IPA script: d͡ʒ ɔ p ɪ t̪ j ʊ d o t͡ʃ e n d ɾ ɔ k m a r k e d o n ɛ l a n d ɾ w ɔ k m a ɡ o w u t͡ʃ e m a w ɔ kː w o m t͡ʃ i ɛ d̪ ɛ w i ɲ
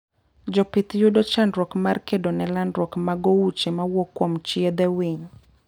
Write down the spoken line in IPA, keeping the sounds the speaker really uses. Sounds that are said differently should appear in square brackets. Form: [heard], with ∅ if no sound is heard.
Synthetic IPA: d͡ʒ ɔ p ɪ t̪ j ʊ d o t͡ʃ [a] n d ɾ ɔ k m a r k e d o n ɛ l a n d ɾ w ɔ k m a ɡ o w u t͡ʃ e m a w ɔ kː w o m t͡ʃ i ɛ d̪ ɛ w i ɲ